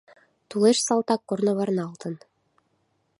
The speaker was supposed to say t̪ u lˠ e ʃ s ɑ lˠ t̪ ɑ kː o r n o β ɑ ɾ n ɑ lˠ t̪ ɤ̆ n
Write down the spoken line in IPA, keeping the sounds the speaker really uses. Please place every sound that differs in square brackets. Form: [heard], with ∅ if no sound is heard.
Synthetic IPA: t̪ u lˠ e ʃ s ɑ lˠ t̪ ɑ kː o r n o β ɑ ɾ n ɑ lˠ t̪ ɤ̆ n